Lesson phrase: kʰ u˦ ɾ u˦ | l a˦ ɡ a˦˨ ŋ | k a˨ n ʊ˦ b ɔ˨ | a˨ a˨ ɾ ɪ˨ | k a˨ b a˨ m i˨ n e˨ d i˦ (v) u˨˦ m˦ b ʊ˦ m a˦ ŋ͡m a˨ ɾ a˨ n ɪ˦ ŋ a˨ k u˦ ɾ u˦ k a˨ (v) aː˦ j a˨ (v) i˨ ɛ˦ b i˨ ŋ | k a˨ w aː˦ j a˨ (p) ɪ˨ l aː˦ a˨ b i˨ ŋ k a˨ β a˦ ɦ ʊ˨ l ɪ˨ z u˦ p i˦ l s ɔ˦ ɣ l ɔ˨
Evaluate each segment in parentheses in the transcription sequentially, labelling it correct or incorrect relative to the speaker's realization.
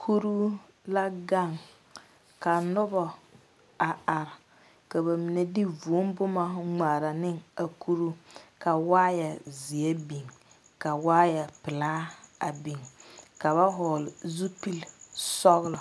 correct, incorrect: w, incorrect: z, correct

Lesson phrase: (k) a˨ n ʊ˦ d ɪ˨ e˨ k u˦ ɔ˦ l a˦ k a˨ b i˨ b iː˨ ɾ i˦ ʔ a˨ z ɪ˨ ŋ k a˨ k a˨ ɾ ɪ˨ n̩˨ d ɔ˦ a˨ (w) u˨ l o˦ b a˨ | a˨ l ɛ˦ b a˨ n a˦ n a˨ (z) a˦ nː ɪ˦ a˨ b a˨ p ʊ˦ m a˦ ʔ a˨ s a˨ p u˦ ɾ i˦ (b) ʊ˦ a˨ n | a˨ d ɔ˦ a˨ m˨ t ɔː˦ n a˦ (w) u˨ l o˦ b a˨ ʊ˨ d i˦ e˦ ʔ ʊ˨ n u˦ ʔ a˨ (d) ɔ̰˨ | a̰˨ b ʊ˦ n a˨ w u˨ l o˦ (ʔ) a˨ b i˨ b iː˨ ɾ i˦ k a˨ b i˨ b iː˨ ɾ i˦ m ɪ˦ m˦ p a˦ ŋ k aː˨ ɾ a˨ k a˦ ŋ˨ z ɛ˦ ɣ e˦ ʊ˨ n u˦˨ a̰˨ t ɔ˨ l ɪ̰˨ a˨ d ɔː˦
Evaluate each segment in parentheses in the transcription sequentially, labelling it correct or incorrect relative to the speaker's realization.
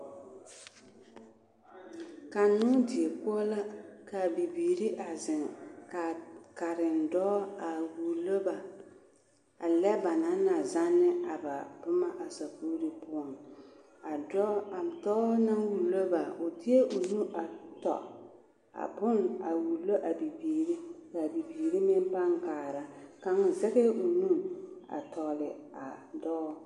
correct, correct, correct, incorrect: p, correct, incorrect: t, correct

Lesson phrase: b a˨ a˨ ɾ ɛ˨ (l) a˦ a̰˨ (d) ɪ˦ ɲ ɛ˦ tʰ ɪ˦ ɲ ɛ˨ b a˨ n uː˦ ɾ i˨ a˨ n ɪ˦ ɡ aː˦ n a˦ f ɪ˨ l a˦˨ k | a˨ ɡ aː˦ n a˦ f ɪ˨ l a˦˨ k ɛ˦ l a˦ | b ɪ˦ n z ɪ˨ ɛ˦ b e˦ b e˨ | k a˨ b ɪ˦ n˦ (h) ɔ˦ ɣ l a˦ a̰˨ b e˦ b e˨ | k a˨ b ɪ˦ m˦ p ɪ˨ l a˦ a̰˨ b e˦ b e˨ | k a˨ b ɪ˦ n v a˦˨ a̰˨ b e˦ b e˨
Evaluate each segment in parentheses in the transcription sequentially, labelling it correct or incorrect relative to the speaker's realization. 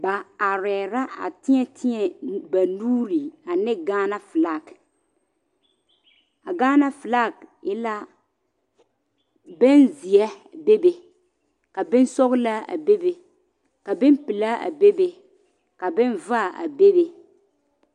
incorrect: ɾ, incorrect: t, incorrect: s

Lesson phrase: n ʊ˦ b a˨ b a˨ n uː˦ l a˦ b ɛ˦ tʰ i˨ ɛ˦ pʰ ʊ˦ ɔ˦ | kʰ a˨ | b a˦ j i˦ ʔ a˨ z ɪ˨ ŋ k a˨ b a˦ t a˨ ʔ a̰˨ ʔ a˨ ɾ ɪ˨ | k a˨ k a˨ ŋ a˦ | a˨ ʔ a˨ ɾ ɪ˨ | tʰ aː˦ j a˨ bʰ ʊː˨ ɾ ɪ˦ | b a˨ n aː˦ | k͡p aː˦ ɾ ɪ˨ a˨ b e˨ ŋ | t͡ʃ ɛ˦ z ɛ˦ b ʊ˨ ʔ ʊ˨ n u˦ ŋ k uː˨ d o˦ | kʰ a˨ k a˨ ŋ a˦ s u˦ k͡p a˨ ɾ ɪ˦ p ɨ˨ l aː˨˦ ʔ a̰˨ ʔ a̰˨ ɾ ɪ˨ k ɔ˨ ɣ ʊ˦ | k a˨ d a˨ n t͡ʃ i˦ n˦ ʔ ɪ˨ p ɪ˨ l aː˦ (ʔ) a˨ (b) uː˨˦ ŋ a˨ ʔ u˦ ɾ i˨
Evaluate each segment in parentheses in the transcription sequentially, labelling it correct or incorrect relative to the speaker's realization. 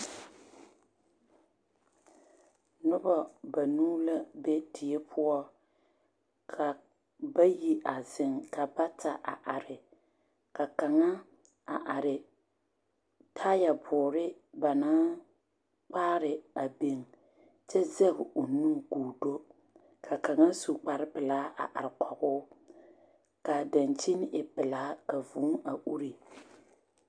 incorrect: k, incorrect: v

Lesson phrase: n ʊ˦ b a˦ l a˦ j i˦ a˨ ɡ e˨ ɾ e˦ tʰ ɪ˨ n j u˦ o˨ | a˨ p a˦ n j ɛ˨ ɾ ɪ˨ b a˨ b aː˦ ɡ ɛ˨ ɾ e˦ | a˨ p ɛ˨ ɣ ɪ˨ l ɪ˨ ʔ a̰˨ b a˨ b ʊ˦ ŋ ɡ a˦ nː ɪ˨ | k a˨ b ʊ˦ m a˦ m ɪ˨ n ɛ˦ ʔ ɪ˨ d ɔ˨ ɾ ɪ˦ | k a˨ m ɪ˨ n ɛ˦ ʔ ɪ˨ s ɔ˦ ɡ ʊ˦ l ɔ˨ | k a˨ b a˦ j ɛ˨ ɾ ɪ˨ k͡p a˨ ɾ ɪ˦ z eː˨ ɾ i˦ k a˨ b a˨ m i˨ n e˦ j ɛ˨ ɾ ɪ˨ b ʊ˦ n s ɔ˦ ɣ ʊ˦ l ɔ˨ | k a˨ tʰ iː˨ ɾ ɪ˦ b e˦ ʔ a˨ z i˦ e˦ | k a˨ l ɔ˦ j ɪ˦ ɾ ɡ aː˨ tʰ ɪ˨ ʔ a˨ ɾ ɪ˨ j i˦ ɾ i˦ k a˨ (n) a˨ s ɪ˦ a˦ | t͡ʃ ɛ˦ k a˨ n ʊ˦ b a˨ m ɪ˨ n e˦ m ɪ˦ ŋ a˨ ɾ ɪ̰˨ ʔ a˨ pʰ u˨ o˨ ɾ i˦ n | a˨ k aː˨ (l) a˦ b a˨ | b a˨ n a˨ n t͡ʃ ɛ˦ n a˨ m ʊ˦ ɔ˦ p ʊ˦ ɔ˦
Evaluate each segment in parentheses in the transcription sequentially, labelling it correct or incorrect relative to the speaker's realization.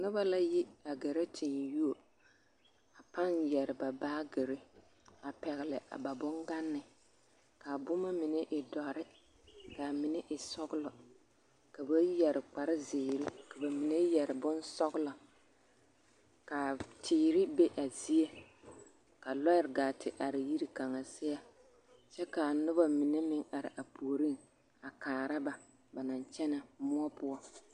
incorrect: ŋ, incorrect: ɾ

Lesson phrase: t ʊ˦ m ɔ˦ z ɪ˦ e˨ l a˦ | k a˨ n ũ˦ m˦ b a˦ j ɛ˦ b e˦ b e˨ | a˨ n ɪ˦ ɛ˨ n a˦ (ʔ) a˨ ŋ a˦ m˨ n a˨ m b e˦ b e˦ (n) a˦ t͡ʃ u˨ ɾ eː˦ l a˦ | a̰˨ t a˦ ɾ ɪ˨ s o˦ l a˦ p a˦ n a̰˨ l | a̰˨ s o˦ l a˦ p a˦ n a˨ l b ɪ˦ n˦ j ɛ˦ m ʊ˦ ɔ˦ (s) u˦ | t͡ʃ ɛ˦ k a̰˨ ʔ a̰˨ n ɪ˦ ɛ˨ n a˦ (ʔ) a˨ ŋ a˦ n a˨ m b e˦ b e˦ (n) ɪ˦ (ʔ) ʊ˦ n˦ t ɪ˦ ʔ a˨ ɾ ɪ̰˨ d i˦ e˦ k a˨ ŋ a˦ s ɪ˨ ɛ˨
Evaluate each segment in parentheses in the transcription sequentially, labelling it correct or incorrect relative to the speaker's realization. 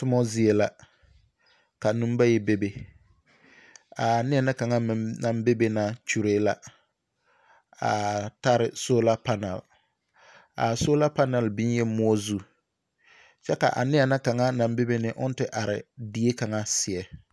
incorrect: k, correct, incorrect: z, incorrect: k, correct, correct

